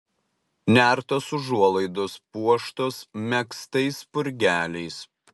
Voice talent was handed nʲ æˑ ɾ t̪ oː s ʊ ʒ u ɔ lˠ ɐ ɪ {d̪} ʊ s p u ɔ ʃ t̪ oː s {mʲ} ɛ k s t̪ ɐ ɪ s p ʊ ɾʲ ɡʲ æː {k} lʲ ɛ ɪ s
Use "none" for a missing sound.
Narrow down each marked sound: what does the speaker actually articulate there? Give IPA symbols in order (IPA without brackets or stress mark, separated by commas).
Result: d̪, mʲ, none